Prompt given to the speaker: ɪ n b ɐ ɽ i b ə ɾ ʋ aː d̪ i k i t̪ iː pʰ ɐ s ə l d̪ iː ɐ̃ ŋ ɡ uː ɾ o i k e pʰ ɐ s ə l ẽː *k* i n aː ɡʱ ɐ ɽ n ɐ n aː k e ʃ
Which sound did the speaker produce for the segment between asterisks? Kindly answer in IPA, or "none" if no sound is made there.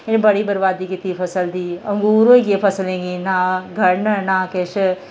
ɡ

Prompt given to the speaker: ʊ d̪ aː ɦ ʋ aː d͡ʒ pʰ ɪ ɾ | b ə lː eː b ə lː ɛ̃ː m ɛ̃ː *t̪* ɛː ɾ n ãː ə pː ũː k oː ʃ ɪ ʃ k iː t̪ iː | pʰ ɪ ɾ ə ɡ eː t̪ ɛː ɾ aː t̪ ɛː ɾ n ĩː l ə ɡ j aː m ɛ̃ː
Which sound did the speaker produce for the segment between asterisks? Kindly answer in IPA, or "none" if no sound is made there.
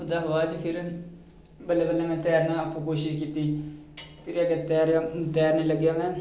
t̪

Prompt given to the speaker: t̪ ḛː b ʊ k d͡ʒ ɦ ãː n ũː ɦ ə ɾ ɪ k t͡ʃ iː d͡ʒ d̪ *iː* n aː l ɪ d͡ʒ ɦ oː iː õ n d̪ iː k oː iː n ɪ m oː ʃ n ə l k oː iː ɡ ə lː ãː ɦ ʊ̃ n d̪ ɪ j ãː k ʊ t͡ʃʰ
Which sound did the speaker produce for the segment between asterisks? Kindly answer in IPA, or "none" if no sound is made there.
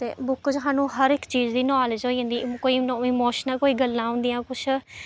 iː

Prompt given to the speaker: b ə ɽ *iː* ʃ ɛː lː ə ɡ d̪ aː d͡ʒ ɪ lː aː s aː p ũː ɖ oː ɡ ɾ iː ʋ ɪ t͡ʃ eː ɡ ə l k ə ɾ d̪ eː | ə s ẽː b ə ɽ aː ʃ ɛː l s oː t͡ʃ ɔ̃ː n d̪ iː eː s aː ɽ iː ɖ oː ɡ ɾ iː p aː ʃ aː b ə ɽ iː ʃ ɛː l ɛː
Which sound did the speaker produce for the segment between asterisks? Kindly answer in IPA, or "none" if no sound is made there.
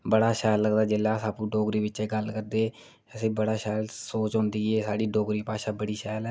aː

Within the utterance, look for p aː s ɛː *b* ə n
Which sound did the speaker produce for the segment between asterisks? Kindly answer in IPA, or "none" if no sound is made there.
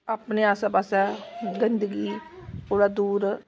ɡ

